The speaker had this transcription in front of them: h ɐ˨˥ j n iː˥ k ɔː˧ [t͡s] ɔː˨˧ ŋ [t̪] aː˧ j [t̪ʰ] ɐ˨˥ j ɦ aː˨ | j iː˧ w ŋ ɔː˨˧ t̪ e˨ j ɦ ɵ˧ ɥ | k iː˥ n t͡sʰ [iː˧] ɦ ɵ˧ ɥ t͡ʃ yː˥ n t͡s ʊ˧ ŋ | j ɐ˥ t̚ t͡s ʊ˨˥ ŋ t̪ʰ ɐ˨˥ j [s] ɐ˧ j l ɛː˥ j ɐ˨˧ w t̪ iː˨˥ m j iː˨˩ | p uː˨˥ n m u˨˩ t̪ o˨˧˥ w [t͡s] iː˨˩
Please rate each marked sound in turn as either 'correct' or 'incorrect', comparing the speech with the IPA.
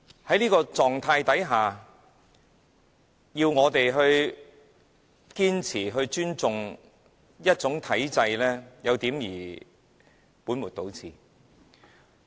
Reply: correct, incorrect, incorrect, incorrect, incorrect, incorrect

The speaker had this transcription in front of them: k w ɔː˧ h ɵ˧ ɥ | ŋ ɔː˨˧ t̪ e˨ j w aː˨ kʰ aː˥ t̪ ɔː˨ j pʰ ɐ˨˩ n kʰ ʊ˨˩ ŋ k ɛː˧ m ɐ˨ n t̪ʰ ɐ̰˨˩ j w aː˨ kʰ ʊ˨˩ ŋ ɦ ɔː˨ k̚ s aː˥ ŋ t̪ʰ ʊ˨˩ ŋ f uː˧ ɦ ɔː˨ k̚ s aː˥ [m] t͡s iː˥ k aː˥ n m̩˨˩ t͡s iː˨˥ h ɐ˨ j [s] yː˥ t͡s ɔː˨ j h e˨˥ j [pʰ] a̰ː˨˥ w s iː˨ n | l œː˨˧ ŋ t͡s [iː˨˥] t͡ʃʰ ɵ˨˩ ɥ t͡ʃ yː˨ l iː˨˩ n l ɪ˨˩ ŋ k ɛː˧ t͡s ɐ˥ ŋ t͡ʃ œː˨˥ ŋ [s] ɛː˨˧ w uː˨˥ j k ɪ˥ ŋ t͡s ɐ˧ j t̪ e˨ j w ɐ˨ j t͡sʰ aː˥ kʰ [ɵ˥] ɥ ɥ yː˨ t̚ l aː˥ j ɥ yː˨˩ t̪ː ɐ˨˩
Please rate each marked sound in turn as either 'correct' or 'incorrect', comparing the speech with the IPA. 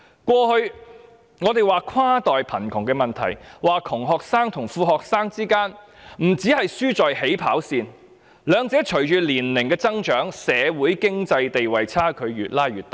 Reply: incorrect, correct, correct, incorrect, correct, incorrect

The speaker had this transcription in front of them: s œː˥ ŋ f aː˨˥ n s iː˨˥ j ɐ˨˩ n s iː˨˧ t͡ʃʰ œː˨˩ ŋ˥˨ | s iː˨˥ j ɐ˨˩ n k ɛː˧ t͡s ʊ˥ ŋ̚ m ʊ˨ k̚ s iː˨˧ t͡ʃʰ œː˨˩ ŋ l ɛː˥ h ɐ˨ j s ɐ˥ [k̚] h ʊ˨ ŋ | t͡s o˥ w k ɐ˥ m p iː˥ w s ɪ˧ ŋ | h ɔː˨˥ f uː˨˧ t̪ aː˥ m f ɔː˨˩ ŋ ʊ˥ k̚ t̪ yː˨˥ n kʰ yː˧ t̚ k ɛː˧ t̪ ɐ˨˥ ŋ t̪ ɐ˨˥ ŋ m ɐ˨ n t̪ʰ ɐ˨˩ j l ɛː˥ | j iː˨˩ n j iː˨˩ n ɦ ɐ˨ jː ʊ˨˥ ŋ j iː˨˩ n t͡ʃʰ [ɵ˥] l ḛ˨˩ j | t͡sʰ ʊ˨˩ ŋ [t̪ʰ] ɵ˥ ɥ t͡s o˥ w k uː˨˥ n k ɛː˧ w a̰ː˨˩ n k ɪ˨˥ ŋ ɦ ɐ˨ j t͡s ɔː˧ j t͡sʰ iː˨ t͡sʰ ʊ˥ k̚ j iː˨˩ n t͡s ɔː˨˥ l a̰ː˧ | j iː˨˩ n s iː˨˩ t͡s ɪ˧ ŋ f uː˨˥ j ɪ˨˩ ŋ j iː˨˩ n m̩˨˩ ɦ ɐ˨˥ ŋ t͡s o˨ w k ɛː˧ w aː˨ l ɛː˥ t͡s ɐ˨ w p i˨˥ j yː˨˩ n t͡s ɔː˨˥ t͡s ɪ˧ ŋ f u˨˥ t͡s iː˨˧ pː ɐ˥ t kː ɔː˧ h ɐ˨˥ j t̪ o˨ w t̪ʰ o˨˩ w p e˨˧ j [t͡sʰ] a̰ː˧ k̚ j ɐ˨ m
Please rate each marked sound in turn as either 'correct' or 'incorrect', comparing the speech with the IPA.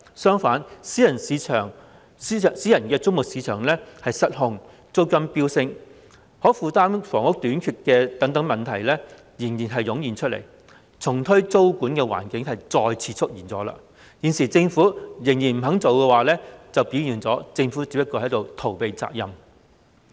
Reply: incorrect, correct, correct, incorrect

